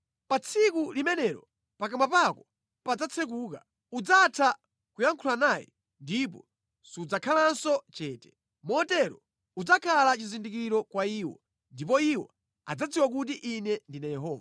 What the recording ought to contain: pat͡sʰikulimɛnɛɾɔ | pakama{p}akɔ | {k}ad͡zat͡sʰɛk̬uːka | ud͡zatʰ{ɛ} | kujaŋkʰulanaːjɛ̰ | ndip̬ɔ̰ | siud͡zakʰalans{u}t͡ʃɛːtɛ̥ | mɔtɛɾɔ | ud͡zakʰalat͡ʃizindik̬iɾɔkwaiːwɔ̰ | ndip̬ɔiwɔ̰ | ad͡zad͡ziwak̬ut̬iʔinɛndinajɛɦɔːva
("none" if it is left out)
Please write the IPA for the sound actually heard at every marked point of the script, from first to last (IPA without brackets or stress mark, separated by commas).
p, p, a, ɔ